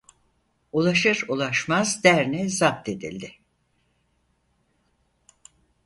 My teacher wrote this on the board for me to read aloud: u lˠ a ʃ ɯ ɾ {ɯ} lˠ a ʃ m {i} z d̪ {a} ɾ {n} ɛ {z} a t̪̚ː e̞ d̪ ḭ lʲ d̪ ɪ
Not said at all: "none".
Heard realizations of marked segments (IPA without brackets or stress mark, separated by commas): u, a, æ, n, z